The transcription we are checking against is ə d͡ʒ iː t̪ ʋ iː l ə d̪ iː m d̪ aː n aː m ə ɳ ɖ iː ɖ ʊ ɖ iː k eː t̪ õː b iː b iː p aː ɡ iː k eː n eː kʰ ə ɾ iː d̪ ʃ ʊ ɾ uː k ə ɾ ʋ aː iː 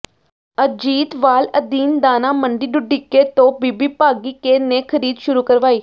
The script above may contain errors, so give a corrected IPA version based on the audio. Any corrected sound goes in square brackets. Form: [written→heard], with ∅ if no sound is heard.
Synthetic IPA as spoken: ə d͡ʒ iː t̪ ʋ [iː→aː] l ə d̪ iː [m→n] d̪ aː n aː m ə ɳ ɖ iː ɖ ʊ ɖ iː k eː t̪ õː b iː b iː p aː ɡ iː k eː n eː kʰ ə ɾ iː d̪ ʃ ʊ ɾ uː k ə ɾ ʋ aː iː

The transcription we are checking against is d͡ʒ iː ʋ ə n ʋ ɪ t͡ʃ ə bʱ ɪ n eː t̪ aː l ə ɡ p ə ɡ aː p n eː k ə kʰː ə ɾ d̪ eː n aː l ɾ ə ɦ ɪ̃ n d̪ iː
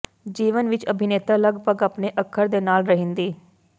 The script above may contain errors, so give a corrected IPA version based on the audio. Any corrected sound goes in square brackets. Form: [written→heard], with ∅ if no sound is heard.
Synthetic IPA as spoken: d͡ʒ iː ʋ ə n ʋ ɪ t͡ʃ ə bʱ ɪ n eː t̪ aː l ə ɡ p ə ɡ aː p n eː [k→ʔ] ə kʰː ə ɾ d̪ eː n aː l ɾ ə ɦ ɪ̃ n d̪ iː

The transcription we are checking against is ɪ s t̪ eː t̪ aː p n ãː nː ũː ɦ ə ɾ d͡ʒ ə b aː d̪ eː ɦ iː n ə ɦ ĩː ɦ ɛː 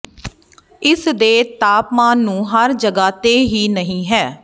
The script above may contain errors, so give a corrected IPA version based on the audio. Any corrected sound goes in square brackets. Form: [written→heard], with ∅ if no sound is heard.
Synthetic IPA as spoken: ɪ s [t̪→d̪] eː t̪ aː p [n→m] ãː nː ũː ɦ ə ɾ d͡ʒ ə [b→ɡ] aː [d̪→t̪] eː ɦ iː n ə ɦ ĩː ɦ ɛː

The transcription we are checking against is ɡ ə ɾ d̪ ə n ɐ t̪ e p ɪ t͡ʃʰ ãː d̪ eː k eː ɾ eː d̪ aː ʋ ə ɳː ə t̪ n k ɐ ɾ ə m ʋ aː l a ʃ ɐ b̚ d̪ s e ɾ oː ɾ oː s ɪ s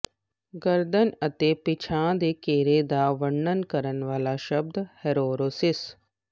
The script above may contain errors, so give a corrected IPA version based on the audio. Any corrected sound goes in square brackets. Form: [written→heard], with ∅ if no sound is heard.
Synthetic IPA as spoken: ɡ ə ɾ d̪ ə n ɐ t̪ e p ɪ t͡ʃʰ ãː d̪ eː k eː ɾ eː d̪ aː ʋ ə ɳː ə [t̪→∅] n k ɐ ɾ ə [m→n] ʋ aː l a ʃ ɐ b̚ d̪ [s→h] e ɾ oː ɾ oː s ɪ s

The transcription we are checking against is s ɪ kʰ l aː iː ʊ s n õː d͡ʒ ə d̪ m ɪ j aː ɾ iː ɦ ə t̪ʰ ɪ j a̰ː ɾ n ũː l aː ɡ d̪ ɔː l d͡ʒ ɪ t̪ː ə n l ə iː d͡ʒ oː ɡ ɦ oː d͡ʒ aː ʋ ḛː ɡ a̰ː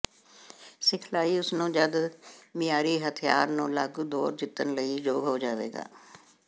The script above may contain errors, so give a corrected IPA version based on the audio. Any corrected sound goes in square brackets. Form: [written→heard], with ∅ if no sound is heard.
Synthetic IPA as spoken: s ɪ kʰ l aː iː ʊ s n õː d͡ʒ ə d̪ m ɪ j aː ɾ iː ɦ ə t̪ʰ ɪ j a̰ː ɾ n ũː l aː ɡ d̪ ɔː [l→ɾ] d͡ʒ ɪ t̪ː ə n l ə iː d͡ʒ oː ɡ ɦ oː d͡ʒ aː ʋ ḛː ɡ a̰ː

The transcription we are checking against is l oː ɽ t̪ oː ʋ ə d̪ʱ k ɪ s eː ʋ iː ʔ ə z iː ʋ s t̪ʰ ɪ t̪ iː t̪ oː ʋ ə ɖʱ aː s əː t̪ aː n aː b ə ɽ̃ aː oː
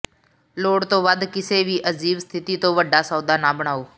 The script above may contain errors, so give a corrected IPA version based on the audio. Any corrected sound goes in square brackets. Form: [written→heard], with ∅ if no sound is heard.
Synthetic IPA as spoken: l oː ɽ t̪ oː ʋ ə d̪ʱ k ɪ s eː ʋ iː ʔ ə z iː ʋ s t̪ʰ ɪ t̪ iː t̪ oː ʋ ə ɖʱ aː s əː [t̪→d̪] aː n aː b ə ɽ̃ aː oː

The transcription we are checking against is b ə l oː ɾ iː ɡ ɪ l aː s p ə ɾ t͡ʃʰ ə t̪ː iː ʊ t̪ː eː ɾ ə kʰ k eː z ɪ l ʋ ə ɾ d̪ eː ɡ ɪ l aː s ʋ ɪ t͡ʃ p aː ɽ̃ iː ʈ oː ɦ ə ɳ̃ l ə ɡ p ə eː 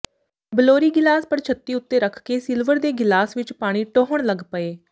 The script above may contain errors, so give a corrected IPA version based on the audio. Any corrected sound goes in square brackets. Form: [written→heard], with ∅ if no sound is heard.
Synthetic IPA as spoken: b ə l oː ɾ iː ɡ ɪ l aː s p ə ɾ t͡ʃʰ ə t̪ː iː ʊ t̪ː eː ɾ ə kʰ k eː [z→s] ɪ l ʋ ə ɾ d̪ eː ɡ ɪ l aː s ʋ ɪ t͡ʃ p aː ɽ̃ iː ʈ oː ɦ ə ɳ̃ l ə ɡ p ə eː

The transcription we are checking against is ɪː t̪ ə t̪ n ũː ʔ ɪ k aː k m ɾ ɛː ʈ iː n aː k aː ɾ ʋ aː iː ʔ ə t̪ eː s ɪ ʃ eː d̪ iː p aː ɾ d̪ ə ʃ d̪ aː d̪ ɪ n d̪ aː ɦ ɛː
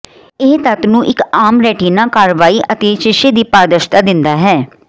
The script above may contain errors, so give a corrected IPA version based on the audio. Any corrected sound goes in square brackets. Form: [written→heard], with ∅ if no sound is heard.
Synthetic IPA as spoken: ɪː t̪ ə t̪ n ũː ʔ ɪ k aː [k→∅] m ɾ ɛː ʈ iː n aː k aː ɾ ʋ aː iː ʔ ə t̪ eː [s→ʃ] ɪ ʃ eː d̪ iː p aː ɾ d̪ ə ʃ [d̪→t̪] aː d̪ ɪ n d̪ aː ɦ ɛː

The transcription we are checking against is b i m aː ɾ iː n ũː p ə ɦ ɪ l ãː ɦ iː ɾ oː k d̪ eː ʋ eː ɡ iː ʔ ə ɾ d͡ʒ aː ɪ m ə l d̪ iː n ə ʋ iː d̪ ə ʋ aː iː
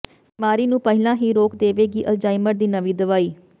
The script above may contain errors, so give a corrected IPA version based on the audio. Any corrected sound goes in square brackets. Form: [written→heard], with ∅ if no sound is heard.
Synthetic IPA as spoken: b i m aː ɾ iː n ũː p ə ɦ ɪ l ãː ɦ iː ɾ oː k d̪ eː ʋ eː ɡ iː ʔ ə [ɾ→l] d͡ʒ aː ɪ m ə [l→ɾ] d̪ iː n ə ʋ iː d̪ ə ʋ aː iː

